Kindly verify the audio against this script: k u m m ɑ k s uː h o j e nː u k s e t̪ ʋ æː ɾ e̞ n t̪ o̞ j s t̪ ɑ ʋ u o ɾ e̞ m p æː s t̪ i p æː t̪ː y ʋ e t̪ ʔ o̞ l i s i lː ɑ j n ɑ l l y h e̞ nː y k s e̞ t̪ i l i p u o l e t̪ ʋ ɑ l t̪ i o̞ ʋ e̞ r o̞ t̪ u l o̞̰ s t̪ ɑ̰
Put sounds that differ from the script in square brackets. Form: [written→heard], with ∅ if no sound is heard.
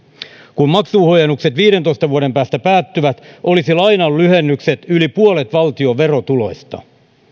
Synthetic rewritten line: k u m m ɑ k s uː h o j e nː u k s e t̪ ʋ [æː→iː] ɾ e̞ n t̪ o̞ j s t̪ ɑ ʋ u o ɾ e̞ m p æː s t̪ [i→æ] p æː t̪ː y ʋ [e→æ] t̪ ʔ o̞ l i s i [lː→l] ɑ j n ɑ l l y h e̞ nː y k s e̞ t̪ [i→y] l i p u o l e t̪ ʋ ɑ l t̪ i o̞ ʋ e̞ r o̞ t̪ u l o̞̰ s t̪ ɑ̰